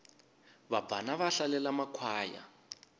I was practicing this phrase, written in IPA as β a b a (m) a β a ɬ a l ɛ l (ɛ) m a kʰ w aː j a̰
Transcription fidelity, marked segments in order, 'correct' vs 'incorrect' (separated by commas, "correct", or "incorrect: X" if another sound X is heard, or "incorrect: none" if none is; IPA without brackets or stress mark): incorrect: n, incorrect: a